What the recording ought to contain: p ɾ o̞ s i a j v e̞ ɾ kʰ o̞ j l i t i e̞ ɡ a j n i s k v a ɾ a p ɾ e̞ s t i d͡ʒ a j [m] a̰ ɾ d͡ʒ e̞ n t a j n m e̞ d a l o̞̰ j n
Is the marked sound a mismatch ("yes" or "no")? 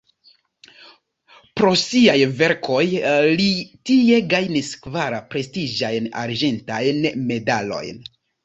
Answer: yes